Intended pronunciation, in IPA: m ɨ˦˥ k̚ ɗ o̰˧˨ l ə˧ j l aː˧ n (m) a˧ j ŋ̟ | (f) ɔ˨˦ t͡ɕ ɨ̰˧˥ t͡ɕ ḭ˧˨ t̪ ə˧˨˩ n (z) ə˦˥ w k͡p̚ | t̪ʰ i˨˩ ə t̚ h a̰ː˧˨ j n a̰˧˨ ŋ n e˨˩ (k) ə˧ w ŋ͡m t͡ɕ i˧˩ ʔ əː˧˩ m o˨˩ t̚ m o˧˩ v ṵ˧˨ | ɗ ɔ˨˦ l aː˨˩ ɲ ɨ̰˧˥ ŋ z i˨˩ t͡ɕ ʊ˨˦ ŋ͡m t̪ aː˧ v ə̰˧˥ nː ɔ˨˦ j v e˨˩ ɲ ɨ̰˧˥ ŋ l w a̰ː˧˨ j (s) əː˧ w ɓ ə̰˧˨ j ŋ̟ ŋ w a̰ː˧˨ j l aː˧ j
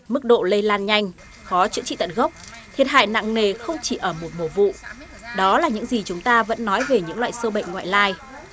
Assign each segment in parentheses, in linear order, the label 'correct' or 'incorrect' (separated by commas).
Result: incorrect, incorrect, incorrect, incorrect, correct